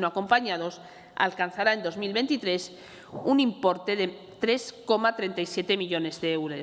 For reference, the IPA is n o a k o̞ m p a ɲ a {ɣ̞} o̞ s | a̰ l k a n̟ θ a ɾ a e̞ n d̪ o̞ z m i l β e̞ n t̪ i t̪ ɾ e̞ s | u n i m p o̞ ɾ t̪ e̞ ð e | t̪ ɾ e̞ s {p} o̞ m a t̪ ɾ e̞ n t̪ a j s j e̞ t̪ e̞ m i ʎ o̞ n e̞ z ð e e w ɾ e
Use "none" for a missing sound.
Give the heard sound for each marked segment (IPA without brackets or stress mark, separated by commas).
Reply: ð̞, k